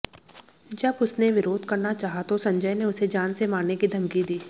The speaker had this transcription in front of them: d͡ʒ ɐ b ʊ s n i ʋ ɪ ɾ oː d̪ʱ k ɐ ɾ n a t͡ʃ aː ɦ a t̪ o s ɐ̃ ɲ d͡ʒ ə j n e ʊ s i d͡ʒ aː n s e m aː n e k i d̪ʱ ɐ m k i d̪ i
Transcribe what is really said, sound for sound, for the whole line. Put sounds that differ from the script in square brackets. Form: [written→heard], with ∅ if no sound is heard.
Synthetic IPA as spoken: d͡ʒ ɐ b ʊ s n [i→e] ʋ ɪ ɾ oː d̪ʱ k ɐ ɾ n a t͡ʃ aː ɦ a t̪ o s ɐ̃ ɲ d͡ʒ ə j n e ʊ s [i→e] d͡ʒ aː n s e m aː n e k i d̪ʱ ɐ m k i d̪ [i→iː]